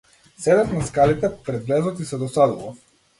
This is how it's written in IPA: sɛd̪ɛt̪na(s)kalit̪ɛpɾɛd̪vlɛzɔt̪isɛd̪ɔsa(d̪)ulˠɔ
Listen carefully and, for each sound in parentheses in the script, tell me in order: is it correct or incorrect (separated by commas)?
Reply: correct, correct